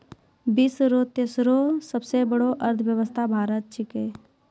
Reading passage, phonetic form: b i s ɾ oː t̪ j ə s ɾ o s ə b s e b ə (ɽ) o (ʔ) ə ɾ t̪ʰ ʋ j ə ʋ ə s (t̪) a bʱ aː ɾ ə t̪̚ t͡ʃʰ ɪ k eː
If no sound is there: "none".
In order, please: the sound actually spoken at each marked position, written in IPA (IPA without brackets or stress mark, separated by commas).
ɽ, ʔ, t̪ʰ